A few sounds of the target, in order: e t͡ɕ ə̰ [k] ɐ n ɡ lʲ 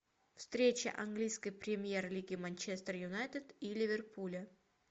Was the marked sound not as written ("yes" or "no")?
yes